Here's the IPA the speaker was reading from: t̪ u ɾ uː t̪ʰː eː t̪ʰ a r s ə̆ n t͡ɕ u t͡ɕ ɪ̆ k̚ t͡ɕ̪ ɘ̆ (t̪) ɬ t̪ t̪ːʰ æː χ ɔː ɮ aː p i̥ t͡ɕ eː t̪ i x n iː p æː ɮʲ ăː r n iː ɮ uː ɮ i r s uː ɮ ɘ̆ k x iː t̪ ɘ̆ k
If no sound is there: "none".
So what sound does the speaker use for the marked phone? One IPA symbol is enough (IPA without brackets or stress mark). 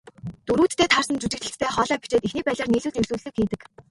none